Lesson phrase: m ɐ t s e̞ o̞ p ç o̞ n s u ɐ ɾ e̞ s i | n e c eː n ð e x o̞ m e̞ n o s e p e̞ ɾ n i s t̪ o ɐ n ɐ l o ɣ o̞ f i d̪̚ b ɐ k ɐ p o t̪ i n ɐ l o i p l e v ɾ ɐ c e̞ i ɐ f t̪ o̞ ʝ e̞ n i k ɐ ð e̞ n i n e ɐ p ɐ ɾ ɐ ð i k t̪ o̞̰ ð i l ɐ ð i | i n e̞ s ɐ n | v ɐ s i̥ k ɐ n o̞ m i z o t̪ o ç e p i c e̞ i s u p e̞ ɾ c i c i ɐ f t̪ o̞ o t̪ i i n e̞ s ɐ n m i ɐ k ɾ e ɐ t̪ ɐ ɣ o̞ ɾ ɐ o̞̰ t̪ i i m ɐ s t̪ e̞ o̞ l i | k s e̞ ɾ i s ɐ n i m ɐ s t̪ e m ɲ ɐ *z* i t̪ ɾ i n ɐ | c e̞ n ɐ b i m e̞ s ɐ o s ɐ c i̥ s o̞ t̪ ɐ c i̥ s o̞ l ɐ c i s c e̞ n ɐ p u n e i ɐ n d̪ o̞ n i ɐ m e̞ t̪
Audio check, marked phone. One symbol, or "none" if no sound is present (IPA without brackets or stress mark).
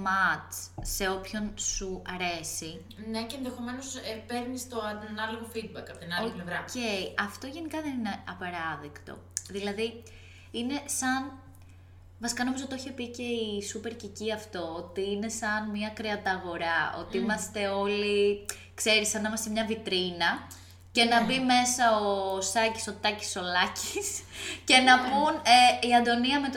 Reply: v